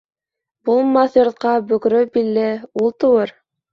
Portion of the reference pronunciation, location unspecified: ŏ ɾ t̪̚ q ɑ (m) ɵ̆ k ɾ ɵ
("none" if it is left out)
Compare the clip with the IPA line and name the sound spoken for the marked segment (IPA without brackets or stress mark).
b